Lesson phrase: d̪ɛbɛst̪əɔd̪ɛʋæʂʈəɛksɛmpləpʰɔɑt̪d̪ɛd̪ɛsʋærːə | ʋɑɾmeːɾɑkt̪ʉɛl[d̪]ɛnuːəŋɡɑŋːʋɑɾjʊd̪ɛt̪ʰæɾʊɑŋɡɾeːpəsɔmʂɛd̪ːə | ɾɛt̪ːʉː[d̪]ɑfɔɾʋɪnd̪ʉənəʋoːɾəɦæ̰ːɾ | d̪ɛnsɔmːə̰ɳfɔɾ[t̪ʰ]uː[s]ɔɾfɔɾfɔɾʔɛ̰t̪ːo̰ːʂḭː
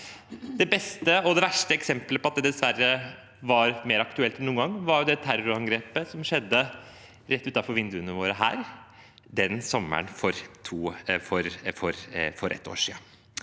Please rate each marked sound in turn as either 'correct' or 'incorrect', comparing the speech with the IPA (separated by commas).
incorrect, incorrect, correct, incorrect